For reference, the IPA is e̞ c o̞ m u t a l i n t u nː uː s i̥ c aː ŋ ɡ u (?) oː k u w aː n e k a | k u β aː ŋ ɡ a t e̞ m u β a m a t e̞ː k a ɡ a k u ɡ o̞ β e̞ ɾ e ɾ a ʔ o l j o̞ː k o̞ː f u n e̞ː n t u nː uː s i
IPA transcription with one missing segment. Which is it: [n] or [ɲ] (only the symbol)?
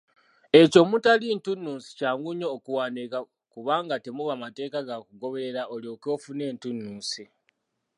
ɲ